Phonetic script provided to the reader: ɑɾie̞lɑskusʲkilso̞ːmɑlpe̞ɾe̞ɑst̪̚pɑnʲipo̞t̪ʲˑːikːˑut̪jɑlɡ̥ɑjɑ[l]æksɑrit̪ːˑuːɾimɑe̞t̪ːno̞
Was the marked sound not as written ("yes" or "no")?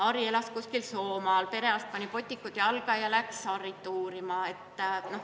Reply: no